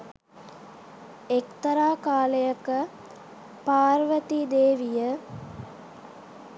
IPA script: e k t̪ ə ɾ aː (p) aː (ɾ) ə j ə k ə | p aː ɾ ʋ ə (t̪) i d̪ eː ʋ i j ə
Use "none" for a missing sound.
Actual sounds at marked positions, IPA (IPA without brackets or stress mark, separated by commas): k, l, t̪